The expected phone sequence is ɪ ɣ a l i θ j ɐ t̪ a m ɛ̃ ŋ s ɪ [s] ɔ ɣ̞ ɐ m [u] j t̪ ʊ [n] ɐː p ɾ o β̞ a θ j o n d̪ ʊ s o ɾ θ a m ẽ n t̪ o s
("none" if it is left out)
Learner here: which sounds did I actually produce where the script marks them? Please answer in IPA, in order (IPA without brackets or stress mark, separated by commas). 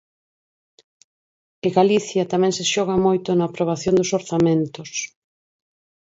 ʃ, o, n